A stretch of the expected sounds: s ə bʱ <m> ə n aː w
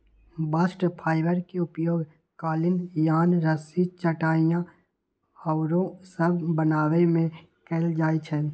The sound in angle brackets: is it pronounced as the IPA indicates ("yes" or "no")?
no